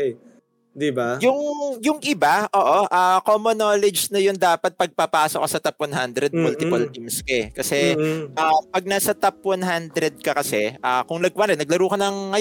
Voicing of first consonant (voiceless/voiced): voiced